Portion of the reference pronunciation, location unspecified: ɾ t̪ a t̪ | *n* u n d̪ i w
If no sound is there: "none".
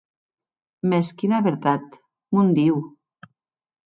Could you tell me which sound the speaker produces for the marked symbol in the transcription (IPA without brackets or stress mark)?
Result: m